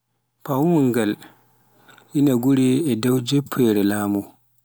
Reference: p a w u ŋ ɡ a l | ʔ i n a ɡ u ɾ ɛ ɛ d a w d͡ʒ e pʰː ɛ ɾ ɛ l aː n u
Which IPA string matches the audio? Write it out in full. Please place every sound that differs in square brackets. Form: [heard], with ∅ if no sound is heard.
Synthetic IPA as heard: p a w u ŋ ɡ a l | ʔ i n a ɡ u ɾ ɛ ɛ d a w d͡ʒ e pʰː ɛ ɾ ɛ l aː [m] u